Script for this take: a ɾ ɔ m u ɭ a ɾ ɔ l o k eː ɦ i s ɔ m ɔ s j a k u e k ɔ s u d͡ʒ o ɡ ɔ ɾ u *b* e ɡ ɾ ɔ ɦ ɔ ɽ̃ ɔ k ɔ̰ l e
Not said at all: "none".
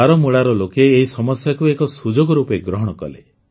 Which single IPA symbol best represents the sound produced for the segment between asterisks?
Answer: p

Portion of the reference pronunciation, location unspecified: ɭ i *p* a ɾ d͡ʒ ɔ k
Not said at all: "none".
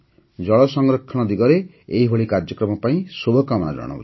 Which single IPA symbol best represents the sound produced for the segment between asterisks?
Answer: k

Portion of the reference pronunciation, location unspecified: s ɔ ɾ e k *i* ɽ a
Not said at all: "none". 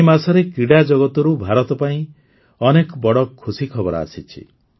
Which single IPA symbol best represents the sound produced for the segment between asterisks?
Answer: i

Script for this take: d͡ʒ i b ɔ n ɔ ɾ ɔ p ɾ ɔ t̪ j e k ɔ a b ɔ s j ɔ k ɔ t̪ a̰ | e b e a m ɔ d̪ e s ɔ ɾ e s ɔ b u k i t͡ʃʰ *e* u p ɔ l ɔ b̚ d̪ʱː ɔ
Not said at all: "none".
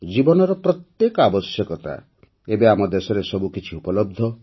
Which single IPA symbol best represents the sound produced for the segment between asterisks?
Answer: i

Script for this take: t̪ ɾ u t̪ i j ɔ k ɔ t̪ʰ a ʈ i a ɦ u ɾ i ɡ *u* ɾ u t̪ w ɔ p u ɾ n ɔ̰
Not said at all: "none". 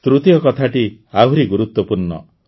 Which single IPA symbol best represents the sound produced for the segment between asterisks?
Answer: u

